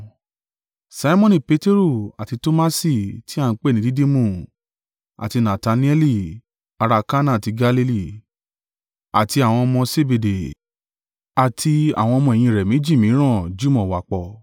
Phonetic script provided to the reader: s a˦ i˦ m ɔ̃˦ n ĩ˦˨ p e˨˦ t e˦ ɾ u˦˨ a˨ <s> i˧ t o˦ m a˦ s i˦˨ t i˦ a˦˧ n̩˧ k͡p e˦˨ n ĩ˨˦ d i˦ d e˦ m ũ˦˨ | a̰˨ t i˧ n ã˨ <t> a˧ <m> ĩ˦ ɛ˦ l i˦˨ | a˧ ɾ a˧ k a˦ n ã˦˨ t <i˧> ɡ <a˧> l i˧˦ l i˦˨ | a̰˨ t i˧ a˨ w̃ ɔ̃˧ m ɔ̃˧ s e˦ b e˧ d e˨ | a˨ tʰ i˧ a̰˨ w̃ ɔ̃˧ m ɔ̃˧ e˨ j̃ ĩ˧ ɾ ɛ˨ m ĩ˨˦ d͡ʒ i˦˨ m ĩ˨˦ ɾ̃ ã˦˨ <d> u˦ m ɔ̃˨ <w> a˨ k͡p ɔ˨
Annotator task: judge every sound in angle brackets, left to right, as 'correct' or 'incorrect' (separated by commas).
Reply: incorrect, correct, incorrect, correct, correct, incorrect, correct